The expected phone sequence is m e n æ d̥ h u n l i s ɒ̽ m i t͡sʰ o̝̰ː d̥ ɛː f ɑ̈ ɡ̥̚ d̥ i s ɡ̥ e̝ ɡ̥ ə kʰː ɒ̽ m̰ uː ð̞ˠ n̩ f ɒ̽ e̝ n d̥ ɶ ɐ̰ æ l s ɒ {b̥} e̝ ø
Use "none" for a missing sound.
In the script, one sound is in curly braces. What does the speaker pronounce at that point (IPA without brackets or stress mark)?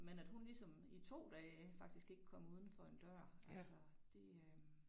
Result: d̥